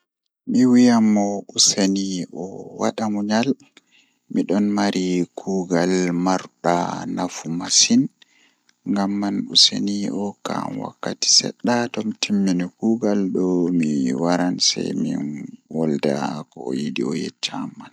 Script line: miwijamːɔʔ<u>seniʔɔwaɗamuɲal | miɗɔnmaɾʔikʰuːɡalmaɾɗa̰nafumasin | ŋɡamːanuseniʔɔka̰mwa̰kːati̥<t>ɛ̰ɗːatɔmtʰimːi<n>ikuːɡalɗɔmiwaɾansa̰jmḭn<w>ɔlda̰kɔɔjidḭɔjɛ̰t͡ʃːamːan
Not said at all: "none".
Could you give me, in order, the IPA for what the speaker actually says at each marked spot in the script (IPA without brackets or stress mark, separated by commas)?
u, s, n, w